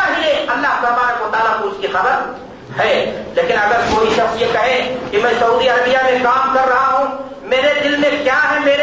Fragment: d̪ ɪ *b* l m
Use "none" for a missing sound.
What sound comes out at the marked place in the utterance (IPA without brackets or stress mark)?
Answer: none